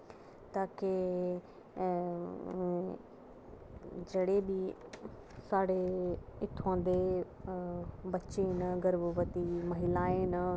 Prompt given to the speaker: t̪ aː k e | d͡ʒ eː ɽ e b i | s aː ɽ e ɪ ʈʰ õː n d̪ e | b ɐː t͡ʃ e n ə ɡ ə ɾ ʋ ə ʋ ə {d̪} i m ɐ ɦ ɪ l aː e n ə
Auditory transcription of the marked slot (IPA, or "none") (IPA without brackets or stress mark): t̪